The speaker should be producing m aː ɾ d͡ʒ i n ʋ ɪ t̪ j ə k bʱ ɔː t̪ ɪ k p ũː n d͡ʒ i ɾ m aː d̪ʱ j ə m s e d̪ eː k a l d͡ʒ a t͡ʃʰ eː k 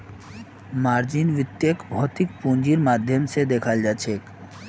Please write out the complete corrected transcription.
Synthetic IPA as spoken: m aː ɾ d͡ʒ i n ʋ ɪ t̪ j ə k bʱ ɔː t̪ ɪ k p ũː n d͡ʒ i ɾ m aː d̪ʱ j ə m s e d̪ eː kʰ a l d͡ʒ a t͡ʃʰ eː k